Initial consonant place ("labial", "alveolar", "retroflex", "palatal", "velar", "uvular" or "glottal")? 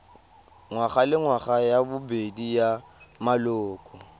velar